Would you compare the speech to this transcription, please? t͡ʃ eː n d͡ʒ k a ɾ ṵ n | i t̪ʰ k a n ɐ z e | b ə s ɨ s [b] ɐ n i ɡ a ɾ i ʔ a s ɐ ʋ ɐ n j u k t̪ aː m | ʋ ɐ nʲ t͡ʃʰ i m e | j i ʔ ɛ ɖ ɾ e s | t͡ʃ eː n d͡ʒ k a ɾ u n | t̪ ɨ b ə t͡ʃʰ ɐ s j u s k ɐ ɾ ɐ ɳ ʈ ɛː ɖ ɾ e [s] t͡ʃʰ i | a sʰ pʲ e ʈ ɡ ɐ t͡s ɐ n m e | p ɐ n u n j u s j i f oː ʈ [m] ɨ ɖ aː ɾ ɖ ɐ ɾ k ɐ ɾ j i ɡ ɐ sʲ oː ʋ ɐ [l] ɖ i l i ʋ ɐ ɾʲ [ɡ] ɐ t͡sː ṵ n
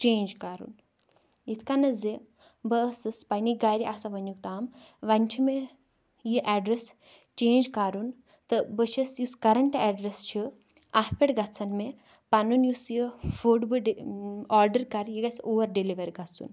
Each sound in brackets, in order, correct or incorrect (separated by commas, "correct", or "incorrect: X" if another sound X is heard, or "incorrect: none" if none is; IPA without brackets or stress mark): incorrect: p, correct, incorrect: b, incorrect: ɾ, correct